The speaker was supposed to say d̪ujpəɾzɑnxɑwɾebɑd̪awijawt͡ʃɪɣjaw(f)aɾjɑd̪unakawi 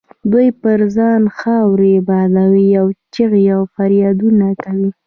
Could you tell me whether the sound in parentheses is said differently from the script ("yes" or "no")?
no